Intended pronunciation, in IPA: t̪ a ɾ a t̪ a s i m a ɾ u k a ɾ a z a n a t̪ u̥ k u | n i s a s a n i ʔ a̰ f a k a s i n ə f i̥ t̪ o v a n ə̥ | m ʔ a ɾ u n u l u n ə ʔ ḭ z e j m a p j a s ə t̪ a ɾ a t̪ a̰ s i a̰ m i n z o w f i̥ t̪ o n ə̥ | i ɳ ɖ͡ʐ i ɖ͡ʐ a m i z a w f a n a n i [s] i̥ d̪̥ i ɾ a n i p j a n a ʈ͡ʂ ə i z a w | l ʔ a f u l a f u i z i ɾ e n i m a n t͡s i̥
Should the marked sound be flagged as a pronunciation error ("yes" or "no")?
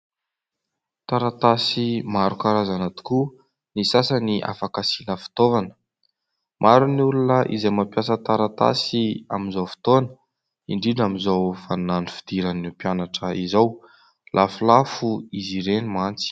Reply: yes